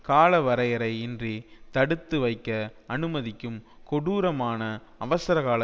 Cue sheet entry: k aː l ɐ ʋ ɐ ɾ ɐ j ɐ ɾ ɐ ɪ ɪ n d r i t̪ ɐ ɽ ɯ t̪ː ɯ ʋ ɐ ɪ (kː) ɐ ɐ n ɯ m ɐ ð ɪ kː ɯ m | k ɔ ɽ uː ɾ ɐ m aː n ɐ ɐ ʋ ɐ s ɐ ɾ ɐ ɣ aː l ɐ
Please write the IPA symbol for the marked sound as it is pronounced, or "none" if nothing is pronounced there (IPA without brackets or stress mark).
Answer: kː